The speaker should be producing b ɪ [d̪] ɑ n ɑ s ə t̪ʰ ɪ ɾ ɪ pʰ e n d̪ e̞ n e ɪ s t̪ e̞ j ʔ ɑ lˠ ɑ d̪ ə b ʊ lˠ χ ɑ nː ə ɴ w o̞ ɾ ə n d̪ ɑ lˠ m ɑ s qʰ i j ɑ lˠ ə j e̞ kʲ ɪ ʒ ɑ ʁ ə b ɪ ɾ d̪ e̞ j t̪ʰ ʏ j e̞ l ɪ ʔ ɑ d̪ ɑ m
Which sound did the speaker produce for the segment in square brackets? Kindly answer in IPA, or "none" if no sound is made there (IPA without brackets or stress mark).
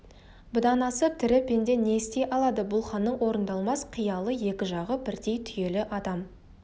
d̪